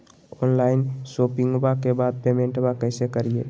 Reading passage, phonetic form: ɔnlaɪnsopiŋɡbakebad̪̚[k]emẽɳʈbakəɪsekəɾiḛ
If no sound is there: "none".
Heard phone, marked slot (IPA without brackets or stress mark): p